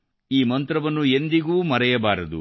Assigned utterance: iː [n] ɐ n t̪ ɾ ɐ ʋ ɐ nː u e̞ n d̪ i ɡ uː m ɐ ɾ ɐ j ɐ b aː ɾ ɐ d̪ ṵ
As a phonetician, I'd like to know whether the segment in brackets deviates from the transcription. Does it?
yes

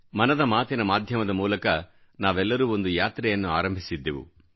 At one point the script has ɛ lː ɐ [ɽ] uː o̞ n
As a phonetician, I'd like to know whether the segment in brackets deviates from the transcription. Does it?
yes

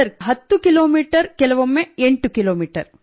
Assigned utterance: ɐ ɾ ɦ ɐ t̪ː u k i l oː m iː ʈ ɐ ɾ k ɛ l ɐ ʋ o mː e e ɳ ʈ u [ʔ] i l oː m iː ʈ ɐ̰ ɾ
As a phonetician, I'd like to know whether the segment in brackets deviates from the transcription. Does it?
yes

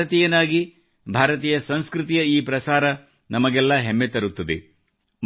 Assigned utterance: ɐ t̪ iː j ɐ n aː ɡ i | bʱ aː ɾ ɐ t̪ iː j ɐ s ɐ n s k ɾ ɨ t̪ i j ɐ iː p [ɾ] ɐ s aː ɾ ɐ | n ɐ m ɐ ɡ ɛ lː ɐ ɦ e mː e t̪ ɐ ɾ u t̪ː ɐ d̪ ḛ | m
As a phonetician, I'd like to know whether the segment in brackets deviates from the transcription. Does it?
no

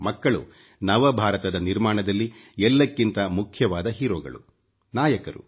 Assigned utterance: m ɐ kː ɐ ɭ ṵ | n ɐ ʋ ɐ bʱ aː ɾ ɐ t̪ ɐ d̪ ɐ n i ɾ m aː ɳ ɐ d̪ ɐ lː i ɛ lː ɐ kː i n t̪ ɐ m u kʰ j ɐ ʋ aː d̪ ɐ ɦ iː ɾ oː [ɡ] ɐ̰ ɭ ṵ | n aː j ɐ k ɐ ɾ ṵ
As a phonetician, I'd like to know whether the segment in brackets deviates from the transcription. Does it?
no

